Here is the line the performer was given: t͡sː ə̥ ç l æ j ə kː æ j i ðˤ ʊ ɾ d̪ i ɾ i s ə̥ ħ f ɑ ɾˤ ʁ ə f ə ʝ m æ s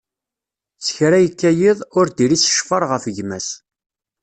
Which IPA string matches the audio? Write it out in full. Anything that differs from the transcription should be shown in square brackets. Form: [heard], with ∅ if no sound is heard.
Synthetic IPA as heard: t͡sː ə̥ ç [ɾ] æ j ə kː æ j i ðˤ ʊ ɾ d̪ i ɾ i s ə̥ [ʃ] f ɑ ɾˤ ʁ ə f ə ʝ m æ s